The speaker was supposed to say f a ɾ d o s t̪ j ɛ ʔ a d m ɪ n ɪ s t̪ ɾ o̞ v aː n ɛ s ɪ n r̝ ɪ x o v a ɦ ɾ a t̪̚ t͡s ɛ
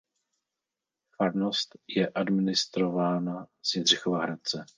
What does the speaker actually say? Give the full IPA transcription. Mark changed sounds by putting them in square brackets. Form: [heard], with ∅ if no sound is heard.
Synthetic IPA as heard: f a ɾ [n] o s t̪ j ɛ ʔ a d m ɪ n ɪ s t̪ ɾ o̞ v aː n [a] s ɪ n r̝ ɪ x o v a ɦ ɾ a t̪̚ t͡s ɛ